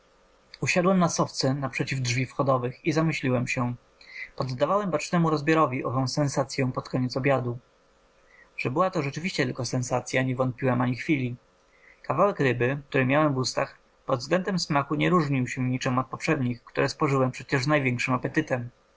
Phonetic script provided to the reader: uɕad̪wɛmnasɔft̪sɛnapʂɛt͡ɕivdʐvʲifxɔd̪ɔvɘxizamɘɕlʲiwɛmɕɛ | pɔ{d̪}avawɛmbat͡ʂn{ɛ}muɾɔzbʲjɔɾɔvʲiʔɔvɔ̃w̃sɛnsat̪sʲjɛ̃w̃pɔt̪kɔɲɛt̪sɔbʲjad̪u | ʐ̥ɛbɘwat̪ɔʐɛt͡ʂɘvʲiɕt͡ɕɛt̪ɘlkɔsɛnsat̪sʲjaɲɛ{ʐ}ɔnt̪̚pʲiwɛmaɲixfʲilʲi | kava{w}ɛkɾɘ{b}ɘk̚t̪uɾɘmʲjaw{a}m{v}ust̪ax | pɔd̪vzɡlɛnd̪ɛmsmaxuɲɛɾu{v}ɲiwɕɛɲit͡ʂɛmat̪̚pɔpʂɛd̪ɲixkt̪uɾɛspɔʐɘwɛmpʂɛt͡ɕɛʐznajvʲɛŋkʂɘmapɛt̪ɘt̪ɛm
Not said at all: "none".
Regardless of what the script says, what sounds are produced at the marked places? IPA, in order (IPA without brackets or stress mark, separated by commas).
d̪ː, ɛ, v, w, b, ɛ, v, ʐ